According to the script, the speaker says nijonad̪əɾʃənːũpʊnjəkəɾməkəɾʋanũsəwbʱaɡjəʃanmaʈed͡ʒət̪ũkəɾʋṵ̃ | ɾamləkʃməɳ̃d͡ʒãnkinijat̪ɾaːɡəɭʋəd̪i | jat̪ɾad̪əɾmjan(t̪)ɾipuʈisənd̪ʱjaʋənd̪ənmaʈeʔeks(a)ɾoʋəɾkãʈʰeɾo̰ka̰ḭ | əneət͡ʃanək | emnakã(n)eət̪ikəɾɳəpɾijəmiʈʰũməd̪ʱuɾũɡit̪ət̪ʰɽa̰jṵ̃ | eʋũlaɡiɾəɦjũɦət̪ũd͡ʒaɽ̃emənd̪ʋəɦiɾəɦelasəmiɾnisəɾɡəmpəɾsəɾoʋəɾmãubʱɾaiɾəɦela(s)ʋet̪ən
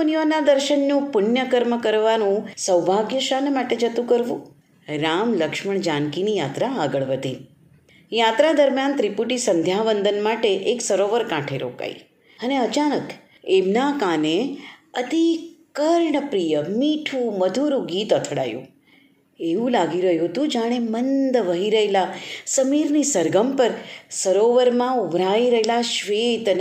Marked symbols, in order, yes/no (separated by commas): yes, no, yes, no